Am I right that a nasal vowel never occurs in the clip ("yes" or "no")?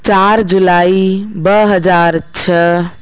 yes